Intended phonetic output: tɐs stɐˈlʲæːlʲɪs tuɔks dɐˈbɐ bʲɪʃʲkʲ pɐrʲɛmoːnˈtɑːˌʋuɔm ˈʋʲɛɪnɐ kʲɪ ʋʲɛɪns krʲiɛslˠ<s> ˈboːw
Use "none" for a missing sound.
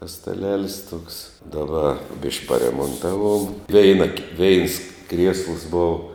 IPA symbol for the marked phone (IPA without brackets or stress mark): s